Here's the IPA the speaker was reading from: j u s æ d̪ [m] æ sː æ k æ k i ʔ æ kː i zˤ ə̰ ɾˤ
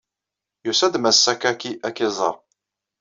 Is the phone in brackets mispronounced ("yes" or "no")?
no